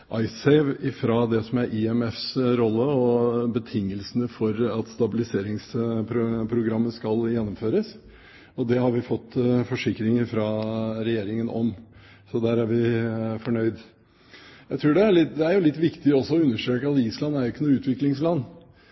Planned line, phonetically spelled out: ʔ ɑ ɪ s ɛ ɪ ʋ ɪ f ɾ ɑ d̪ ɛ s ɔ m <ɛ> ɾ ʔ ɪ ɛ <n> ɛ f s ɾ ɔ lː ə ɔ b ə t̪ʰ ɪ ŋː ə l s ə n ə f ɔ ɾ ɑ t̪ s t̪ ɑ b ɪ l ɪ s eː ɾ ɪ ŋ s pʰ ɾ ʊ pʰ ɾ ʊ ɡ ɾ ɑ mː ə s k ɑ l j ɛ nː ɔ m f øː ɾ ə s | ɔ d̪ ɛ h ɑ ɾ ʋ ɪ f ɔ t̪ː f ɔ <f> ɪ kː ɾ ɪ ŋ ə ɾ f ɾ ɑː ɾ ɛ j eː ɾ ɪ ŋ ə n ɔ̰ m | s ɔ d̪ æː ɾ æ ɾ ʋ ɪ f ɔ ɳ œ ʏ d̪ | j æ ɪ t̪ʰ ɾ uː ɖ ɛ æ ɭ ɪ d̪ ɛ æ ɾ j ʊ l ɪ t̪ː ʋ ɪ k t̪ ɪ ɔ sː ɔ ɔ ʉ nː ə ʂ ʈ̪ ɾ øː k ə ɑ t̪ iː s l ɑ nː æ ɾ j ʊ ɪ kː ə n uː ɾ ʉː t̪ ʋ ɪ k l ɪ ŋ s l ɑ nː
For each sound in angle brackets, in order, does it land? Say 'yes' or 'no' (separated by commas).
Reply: no, no, no